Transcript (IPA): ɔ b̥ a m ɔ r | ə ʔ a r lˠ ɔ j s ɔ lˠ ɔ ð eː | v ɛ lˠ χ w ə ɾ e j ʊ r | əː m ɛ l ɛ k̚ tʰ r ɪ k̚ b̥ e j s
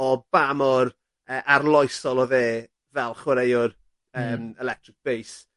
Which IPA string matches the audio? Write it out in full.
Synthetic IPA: ɔ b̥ a m ɔ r | ə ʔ a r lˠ ɔ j s ɔ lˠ ɔ ð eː | v ɛ lˠ χ w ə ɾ e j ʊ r | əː m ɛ l ɛ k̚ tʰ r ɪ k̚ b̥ e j s